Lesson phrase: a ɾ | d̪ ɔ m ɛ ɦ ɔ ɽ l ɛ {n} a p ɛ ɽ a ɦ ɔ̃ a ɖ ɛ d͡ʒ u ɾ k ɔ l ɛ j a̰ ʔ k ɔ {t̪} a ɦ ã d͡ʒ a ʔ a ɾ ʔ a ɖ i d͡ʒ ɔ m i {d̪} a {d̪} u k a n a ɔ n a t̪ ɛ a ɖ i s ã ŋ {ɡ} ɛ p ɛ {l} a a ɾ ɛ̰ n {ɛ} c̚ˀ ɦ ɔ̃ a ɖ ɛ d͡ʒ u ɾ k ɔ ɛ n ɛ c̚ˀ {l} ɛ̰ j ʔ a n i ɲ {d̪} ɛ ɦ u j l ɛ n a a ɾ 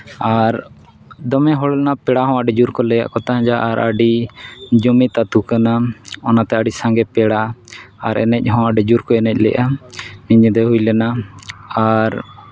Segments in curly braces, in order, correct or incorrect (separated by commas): correct, correct, incorrect, incorrect, correct, incorrect, correct, correct, correct